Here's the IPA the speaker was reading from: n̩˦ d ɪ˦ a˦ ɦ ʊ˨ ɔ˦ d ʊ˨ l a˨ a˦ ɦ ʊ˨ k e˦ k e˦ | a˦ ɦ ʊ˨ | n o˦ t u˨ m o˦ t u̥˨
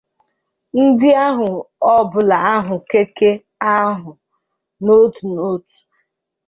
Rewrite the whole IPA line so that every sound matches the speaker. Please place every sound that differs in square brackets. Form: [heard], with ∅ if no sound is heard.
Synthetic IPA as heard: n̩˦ d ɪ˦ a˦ ɦ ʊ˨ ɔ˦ [b] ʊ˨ l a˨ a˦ ɦ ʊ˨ k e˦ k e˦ | a˦ ɦ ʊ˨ | n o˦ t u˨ [n] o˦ t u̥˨

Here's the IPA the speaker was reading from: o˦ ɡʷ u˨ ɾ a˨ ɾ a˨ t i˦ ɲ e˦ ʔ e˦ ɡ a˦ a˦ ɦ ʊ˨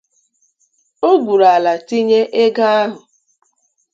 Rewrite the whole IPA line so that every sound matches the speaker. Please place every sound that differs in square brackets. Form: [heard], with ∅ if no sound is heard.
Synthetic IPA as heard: o˦ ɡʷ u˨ ɾ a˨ [l] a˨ t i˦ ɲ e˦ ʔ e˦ ɡ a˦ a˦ ɦ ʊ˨

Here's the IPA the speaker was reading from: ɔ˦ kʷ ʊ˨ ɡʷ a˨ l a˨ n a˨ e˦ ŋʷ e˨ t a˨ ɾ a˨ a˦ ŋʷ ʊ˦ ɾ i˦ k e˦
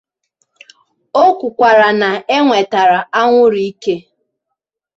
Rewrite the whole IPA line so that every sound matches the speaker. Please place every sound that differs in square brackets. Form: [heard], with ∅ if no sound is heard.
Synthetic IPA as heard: [o˦] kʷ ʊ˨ [kʷ] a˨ [ɾ] a˨ n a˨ e˦ ŋʷ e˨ t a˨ ɾ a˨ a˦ ŋʷ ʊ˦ ɾ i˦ k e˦

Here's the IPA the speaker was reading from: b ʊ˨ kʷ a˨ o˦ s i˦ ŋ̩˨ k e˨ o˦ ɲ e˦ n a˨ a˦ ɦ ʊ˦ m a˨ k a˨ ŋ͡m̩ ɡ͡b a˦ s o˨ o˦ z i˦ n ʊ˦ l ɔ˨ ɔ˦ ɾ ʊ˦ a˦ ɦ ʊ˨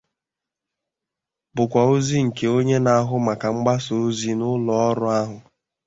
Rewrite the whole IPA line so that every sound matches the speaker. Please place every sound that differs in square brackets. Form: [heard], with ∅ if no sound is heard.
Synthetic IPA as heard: b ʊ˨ kʷ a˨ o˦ [z] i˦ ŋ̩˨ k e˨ o˦ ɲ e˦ n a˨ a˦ ɦ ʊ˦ m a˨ k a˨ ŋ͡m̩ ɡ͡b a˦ s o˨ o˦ z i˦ n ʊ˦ l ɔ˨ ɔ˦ ɾ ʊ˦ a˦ ɦ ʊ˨

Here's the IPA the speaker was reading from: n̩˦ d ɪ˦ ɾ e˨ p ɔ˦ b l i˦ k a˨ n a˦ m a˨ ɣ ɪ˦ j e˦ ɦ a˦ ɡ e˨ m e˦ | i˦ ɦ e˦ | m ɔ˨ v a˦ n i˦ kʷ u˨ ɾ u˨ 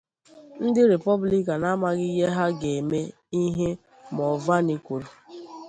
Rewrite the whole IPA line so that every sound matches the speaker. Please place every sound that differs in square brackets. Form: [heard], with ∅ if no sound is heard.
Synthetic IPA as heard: n̩˦ d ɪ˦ ɾ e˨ p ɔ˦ b l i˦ k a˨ n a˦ m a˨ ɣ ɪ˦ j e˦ ɦ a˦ ɡ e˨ m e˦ | i˦ ɦ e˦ | m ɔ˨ v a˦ n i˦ kʷ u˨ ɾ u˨

